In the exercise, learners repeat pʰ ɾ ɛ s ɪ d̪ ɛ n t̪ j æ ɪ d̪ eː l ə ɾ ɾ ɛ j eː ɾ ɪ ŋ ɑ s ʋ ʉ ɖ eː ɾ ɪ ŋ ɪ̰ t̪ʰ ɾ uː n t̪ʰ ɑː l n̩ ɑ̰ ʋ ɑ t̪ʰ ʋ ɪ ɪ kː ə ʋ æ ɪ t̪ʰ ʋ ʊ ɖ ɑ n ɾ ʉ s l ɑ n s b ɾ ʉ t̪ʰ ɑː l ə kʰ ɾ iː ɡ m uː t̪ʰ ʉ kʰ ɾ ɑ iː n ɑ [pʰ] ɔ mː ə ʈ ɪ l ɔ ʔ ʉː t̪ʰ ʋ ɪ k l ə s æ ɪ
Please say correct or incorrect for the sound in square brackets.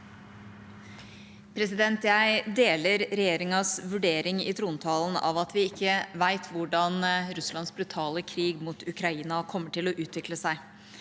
incorrect